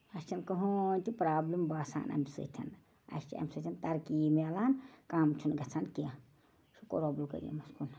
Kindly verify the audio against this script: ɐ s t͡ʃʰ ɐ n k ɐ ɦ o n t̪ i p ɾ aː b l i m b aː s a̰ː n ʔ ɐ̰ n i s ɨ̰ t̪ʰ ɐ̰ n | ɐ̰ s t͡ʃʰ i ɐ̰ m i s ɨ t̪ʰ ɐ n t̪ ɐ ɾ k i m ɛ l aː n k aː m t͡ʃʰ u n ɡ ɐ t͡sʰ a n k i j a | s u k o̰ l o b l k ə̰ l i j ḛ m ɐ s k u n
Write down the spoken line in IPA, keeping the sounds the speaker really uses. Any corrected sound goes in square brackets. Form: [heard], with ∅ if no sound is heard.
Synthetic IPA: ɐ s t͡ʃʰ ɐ n k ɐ ɦ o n t̪ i p ɾ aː b l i m b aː s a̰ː n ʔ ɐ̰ [m] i s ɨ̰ t̪ʰ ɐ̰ n | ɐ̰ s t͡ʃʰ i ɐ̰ m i s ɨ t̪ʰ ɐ n t̪ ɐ ɾ k i m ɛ l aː n k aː m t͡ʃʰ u n ɡ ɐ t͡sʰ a n k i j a | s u k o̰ [ɾ] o b l k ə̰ [ɾ] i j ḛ m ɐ s k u n